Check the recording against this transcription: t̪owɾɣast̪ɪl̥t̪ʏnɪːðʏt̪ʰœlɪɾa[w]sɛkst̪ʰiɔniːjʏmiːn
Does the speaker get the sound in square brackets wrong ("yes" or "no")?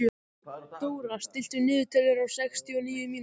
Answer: no